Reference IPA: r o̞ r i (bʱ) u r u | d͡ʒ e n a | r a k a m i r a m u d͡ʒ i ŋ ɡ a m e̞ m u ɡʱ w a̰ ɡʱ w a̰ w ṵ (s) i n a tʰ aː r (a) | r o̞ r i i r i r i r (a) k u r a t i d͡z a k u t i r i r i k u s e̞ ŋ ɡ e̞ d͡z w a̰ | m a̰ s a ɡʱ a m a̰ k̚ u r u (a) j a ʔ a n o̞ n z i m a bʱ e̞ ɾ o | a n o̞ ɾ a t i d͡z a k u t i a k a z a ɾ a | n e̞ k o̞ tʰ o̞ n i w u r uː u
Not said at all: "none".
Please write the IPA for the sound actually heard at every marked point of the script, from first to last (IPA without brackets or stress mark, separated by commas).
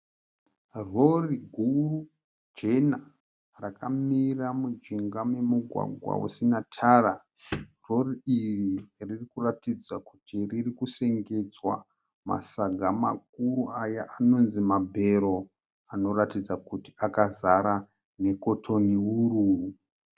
ɡʱ, s, a, i, a